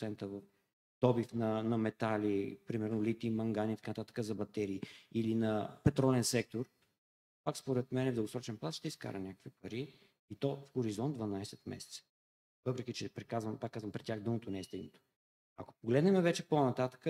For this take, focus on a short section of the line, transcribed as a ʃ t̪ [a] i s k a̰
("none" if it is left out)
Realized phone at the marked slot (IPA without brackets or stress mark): ɛ